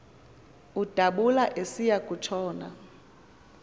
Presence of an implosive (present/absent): present